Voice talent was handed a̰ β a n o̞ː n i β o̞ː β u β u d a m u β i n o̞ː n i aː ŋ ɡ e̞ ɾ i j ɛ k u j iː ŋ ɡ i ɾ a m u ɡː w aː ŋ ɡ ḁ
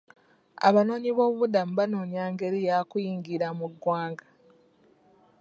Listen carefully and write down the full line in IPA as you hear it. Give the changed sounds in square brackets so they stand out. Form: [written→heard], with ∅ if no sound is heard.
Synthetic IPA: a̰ β a n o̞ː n i β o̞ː β u β u d a m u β [i→a] n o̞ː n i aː ŋ ɡ e̞ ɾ i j [ɛ→a] k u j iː ŋ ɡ i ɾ a m u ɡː w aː ŋ ɡ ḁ